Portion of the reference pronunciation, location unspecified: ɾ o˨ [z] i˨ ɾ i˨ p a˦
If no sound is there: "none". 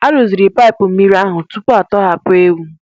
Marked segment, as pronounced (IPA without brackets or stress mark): z